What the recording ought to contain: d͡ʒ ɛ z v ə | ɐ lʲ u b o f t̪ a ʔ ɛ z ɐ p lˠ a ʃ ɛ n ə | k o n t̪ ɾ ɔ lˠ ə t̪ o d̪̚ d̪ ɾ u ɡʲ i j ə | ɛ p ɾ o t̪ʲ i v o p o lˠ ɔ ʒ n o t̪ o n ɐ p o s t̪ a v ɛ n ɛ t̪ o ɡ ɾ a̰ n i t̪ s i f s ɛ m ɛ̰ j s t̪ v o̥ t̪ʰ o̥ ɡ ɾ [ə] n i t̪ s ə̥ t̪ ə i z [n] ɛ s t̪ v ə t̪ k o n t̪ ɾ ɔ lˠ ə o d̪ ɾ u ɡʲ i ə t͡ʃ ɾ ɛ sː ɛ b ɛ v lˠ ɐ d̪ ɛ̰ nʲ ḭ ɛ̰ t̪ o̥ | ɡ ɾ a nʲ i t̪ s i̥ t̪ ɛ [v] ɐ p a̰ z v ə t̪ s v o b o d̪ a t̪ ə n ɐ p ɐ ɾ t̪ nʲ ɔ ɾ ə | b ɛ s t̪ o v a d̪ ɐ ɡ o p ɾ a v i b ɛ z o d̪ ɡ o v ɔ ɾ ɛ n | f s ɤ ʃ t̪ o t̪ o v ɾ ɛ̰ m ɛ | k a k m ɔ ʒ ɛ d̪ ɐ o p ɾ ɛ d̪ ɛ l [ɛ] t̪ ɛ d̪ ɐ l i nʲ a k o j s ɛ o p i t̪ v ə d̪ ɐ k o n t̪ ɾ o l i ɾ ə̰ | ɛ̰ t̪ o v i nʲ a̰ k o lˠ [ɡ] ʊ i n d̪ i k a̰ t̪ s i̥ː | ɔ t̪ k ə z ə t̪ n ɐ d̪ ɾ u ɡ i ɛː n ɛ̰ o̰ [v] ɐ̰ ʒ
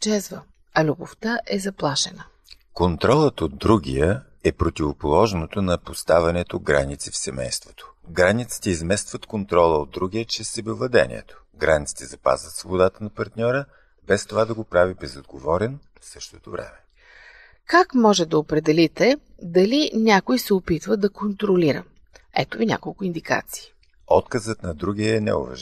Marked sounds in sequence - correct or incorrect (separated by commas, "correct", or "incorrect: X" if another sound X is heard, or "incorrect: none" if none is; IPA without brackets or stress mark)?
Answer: incorrect: a, incorrect: m, incorrect: z, incorrect: i, incorrect: k, correct